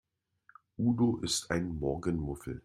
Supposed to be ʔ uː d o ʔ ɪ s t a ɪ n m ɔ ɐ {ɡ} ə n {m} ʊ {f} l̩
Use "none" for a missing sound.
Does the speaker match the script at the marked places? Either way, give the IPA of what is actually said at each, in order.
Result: ɡ, m, f

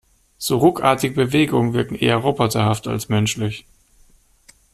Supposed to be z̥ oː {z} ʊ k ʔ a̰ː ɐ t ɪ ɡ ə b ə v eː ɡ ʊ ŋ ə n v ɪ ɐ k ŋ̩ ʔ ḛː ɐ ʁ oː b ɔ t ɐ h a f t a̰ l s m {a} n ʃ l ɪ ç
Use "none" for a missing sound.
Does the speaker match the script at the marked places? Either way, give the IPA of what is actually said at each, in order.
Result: ʁ, ɛ

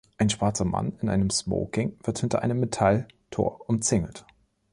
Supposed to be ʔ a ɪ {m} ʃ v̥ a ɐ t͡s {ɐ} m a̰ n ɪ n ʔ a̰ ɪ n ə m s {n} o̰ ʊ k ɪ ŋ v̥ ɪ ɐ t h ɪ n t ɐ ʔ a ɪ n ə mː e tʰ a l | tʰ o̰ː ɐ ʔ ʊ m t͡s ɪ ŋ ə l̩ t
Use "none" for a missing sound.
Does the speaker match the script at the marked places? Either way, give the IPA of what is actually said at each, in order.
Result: n, ɐ, m

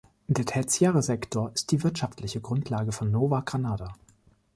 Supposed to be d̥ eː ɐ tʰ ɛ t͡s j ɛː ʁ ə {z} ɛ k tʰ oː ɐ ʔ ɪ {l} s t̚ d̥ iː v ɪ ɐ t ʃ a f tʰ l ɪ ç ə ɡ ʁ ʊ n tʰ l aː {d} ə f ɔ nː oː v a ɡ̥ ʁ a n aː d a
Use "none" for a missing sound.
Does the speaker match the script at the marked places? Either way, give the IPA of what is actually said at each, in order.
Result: z, none, ɡ

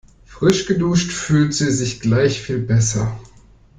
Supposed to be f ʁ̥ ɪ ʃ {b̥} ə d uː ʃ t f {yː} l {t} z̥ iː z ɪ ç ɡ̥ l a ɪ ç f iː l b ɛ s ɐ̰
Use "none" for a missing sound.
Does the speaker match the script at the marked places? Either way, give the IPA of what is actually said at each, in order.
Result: ɡ̥, yː, t

